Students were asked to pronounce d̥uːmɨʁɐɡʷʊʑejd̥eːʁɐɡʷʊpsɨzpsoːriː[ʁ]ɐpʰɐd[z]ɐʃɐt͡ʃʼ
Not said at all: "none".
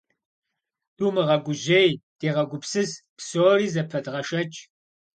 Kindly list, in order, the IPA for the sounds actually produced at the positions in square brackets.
z, ʁ

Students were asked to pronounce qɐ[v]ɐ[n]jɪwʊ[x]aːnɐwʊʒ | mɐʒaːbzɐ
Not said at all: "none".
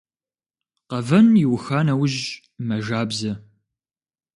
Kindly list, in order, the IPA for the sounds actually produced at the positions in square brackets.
v, n, x

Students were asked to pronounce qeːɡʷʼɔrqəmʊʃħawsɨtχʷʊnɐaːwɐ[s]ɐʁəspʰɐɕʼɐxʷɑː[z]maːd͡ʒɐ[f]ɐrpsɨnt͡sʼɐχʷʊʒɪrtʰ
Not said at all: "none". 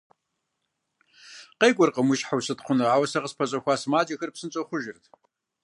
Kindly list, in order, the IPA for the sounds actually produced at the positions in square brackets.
s, s, x

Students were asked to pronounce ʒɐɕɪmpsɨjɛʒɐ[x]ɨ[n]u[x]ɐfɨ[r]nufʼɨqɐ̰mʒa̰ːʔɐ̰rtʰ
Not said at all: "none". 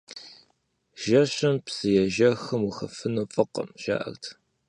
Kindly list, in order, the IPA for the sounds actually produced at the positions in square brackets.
x, m, x, none

